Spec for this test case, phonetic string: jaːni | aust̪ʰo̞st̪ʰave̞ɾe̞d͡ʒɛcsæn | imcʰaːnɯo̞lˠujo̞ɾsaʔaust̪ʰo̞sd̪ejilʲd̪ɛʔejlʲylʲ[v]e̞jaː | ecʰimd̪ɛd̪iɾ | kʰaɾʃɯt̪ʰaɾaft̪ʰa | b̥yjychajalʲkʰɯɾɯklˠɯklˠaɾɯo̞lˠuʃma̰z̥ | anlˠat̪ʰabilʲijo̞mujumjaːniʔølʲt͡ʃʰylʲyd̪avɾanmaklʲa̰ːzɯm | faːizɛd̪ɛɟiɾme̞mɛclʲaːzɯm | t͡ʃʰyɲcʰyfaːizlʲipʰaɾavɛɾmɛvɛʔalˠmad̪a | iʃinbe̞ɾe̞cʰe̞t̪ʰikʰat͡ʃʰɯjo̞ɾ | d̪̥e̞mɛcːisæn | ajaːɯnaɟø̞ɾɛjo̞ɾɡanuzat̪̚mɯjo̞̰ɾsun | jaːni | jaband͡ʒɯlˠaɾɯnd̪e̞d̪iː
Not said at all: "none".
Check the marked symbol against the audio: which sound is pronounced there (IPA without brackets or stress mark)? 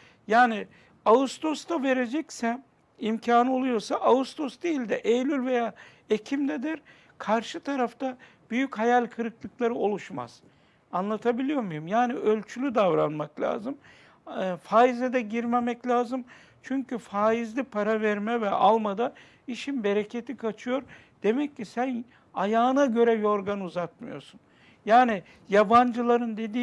v